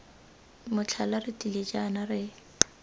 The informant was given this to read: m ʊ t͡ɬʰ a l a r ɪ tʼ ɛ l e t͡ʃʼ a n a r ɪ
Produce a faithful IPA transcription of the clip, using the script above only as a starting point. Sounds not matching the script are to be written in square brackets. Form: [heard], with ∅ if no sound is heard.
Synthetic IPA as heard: m ʊ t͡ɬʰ a l a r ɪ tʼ [i] l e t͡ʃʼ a n a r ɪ